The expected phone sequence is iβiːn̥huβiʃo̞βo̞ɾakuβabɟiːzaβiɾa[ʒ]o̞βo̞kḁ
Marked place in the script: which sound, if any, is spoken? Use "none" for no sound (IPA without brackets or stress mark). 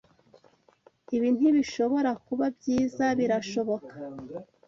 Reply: ʃ